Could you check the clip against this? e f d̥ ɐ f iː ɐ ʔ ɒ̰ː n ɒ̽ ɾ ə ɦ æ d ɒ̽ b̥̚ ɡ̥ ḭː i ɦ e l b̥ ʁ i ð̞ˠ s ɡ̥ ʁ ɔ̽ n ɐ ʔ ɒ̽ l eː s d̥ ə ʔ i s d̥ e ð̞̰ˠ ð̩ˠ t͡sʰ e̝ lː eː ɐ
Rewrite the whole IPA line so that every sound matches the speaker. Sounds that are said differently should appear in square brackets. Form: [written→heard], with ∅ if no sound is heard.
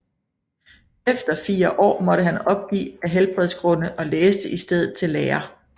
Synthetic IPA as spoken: e f d̥ ɐ f iː ɐ ʔ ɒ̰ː [n→m] ɒ̽ ɾ ə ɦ æ [d→n] ɒ̽ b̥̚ ɡ̥ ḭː [i→æ] ɦ e l b̥ ʁ [i→ɛ] ð̞ˠ s ɡ̥ ʁ ɔ̽ n [ɐ→ə] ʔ ɒ̽ l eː s d̥ ə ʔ i s d̥ e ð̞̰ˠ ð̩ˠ t͡sʰ e̝ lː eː ɐ